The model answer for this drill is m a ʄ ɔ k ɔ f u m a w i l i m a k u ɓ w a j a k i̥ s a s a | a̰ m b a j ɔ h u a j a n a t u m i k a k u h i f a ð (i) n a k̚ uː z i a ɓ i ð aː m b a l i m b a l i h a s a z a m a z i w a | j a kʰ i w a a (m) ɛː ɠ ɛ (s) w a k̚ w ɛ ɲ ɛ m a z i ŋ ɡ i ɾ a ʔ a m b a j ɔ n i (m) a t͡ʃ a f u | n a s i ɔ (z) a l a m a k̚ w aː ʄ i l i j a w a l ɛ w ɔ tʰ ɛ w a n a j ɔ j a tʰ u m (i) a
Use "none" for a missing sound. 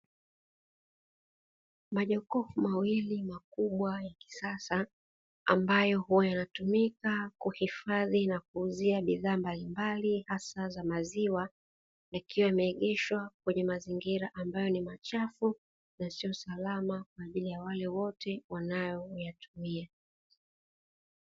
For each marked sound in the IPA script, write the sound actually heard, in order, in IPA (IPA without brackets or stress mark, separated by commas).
i, m, ʃ, m, s, i